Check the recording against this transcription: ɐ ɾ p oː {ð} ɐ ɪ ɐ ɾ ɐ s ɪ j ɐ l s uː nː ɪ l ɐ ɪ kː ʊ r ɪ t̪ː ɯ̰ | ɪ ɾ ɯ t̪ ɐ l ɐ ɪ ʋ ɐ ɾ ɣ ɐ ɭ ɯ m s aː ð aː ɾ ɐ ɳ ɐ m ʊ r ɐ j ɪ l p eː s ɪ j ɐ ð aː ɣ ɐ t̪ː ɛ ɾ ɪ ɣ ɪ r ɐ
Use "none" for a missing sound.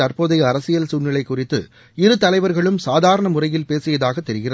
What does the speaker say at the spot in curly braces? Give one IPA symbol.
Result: ð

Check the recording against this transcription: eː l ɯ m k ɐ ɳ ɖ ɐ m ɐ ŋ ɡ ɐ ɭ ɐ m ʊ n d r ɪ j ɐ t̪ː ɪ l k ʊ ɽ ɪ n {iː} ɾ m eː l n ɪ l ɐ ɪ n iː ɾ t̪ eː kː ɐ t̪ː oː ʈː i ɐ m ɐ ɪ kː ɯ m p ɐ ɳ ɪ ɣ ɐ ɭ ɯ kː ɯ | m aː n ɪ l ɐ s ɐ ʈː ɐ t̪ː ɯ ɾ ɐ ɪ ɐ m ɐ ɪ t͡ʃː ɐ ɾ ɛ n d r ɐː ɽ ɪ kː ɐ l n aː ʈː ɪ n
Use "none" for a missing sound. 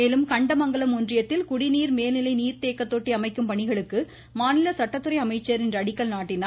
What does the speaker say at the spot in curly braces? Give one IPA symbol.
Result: iː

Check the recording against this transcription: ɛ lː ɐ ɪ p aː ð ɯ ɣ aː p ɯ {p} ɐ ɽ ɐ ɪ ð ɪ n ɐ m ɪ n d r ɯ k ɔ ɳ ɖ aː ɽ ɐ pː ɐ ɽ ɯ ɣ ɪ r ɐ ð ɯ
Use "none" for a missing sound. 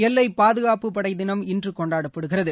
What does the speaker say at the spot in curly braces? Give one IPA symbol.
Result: p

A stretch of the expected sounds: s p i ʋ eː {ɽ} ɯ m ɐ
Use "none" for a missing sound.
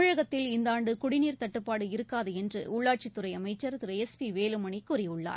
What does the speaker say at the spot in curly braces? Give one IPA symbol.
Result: l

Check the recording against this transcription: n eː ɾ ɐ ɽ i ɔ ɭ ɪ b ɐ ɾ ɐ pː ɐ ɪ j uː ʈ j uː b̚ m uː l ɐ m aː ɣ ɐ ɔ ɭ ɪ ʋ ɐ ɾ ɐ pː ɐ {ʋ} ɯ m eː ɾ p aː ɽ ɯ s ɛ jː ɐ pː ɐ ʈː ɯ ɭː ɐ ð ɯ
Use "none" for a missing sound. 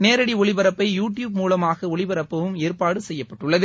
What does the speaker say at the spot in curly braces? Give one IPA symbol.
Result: ʋ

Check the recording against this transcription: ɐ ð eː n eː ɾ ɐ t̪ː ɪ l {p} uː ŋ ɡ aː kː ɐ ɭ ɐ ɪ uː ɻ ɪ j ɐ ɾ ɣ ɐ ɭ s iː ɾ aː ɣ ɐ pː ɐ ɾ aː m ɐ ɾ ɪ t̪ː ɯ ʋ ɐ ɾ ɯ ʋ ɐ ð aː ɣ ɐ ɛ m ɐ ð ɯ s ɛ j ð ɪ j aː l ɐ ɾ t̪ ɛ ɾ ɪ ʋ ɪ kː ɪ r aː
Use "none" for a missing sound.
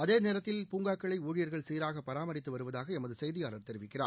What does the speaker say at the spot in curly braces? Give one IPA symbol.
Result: p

